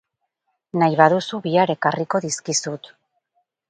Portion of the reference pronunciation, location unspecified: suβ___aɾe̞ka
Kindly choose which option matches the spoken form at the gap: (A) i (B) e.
A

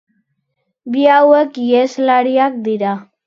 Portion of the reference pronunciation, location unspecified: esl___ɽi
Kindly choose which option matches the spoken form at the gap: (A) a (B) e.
A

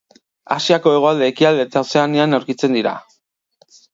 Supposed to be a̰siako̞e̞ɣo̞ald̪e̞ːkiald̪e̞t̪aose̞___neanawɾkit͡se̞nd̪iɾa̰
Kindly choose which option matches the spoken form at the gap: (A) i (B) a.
B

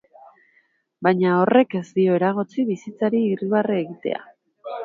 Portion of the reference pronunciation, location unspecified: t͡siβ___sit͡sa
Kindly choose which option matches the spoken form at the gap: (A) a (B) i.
B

